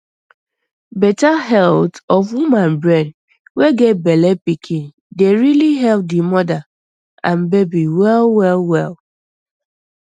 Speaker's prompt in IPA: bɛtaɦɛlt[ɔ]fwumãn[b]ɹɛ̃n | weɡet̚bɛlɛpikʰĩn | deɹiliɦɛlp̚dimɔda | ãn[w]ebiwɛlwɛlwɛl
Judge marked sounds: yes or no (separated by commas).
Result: yes, yes, no